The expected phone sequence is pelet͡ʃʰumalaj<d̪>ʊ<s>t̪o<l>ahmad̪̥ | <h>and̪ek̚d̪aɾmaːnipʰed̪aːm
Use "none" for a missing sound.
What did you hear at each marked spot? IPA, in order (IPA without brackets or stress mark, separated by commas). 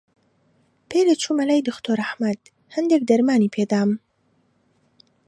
d̪, x, ɾ, h